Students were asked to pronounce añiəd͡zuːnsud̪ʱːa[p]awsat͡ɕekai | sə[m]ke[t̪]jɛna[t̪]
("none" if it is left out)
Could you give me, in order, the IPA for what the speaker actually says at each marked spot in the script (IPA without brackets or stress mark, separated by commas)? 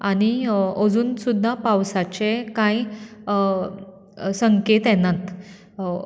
p, ŋ, t̪, t̪